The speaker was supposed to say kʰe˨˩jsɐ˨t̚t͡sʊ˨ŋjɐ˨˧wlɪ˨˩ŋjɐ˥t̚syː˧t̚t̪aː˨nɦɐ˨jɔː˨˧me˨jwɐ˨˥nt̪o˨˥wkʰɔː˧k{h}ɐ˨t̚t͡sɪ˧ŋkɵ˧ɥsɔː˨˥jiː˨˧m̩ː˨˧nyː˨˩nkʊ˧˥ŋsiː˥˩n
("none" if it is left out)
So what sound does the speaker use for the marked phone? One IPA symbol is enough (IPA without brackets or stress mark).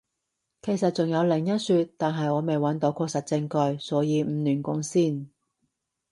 s